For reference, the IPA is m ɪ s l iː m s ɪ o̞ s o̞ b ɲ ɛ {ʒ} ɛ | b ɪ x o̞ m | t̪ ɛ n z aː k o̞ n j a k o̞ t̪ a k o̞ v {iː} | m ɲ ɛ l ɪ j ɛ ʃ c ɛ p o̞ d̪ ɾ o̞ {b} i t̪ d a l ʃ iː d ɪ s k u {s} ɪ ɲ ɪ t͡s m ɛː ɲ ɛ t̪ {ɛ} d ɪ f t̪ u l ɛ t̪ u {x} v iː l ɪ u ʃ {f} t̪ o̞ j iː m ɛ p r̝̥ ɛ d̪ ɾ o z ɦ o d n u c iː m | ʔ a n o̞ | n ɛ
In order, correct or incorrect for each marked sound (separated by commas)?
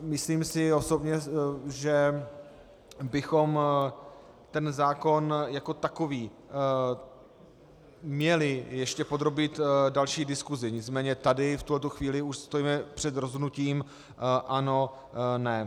correct, correct, correct, incorrect, incorrect, correct, incorrect